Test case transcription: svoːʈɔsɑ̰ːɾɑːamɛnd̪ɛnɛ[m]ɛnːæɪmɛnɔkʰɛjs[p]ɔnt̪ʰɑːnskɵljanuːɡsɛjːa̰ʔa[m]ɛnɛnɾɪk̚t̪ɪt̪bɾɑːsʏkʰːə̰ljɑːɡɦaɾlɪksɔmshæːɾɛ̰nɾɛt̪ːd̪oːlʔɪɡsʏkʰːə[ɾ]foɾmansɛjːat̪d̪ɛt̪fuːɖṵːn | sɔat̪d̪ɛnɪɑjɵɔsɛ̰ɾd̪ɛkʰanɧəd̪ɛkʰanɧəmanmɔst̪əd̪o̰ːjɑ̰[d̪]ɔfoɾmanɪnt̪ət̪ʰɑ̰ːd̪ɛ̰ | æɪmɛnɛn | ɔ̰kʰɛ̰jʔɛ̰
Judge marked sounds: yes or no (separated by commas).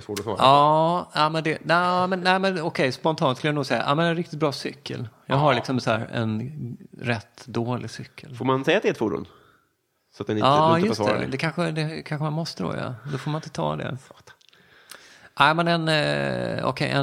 yes, yes, yes, no, yes